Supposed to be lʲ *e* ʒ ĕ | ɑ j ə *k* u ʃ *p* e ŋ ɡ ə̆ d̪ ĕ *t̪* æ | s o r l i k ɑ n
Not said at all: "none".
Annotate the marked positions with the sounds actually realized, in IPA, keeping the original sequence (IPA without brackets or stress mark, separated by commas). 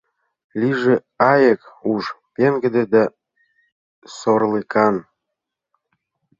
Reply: i, k, p, d̪